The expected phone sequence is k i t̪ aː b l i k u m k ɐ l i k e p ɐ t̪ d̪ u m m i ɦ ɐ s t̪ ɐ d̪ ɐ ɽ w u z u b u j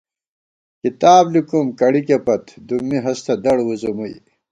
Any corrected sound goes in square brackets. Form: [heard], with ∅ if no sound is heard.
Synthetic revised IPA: k i t̪ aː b l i k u m k ɐ [ɽ] i k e p ɐ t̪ d̪ u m m i ɦ ɐ s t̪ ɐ d̪ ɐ ɽ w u z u [m] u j

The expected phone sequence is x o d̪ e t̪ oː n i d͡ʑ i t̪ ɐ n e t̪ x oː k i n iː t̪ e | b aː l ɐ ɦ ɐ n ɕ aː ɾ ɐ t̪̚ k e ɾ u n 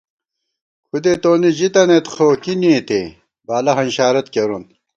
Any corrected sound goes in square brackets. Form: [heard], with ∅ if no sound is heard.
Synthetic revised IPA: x [u] d̪ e t̪ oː n i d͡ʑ i t̪ ɐ n e t̪ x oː k i n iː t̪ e | b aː l ɐ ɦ ɐ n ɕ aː ɾ ɐ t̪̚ k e ɾ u n

